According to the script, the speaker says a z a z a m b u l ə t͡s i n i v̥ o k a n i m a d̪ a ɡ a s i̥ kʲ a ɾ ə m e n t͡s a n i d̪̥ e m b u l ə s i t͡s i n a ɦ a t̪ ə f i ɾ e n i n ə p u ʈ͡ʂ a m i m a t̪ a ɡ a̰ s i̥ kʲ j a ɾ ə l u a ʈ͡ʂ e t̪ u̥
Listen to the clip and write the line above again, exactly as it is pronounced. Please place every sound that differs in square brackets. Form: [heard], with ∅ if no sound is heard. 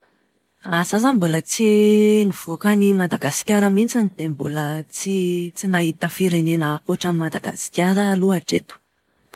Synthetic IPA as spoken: a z a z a m b u l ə t͡s i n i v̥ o k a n i m a d̪ a ɡ a s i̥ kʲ a ɾ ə m [i] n t͡s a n i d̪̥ e m b u l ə [t͡s] i t͡s i n a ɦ [i] t̪ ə f i ɾ e n [e] n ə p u ʈ͡ʂ a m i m a [d̪] a ɡ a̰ s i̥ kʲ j a ɾ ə l u a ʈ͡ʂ e t̪ u̥